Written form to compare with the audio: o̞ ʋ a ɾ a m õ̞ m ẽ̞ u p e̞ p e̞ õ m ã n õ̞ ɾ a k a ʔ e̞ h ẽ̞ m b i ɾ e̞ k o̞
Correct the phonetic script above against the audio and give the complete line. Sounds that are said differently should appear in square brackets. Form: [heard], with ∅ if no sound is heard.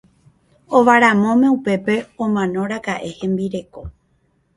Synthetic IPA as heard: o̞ ʋ a ɾ a m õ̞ m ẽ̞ u p e̞ p e̞ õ m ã n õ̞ ɾ a k a ʔ e̞ h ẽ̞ m b i ɾ e̞ k o̞